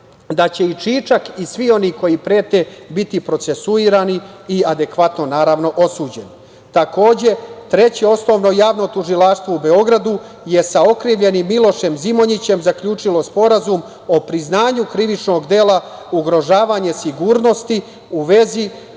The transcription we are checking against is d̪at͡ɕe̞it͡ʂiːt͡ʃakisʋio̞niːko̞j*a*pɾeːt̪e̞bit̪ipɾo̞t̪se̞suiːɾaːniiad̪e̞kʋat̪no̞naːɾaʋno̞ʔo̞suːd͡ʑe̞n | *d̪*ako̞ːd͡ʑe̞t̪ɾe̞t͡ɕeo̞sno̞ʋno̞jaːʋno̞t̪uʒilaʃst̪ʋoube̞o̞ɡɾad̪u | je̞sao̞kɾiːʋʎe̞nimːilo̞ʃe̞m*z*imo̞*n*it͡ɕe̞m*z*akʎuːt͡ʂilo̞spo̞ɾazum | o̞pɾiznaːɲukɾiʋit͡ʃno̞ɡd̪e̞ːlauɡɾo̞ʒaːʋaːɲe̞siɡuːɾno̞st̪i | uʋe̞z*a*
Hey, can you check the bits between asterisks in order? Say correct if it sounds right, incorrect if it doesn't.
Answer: incorrect, incorrect, correct, incorrect, correct, incorrect

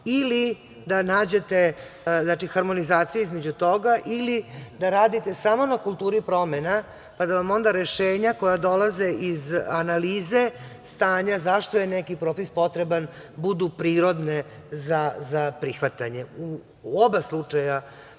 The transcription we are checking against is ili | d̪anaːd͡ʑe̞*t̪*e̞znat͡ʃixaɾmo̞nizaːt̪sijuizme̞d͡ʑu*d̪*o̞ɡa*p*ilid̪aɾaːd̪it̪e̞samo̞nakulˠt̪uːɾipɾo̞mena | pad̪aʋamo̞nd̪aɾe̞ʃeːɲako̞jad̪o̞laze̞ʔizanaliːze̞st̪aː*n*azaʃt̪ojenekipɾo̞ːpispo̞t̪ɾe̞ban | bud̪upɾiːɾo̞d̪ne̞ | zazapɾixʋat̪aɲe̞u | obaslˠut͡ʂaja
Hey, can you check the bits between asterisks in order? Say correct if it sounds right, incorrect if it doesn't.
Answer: correct, incorrect, incorrect, incorrect

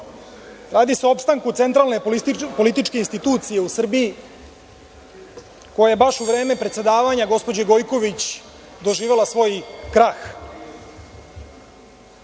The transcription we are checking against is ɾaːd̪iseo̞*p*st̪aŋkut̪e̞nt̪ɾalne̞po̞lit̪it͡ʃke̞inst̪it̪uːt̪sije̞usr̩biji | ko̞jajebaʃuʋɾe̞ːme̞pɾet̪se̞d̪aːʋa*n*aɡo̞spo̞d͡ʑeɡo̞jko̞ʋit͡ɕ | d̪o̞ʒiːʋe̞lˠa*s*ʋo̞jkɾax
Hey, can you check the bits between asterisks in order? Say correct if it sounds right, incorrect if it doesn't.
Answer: correct, incorrect, correct

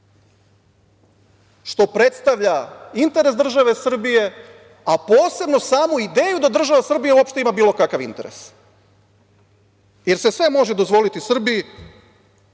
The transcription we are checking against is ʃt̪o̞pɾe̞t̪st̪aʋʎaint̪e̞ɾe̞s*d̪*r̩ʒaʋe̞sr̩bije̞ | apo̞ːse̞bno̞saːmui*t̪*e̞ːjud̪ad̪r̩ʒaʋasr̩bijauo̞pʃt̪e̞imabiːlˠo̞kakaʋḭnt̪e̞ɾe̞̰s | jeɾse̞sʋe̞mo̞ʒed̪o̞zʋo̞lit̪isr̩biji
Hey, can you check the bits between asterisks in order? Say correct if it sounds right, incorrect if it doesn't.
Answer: correct, incorrect

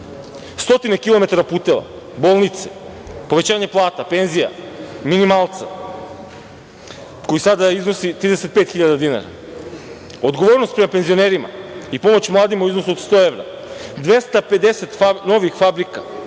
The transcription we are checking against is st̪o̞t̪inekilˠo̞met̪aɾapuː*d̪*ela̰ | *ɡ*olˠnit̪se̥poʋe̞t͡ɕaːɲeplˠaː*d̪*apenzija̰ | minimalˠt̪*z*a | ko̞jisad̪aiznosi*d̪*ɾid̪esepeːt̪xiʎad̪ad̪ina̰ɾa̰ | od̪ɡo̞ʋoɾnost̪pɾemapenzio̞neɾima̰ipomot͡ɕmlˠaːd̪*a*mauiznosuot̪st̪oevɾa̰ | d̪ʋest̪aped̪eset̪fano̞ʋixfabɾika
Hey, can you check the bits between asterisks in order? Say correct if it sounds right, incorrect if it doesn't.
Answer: incorrect, incorrect, incorrect, incorrect, incorrect, incorrect

